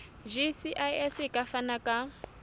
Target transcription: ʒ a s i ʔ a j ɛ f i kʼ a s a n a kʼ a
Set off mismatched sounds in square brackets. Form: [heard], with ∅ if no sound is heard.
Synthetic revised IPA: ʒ [i] s i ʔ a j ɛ [s] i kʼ a [f] a n a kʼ a